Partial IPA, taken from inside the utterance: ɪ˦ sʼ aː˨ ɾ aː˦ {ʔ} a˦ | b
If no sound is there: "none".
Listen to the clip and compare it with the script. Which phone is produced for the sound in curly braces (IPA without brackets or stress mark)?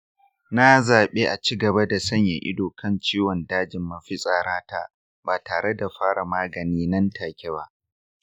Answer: t